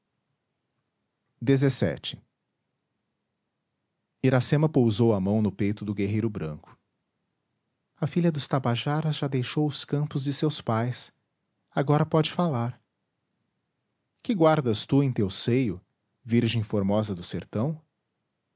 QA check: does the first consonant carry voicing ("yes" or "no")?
yes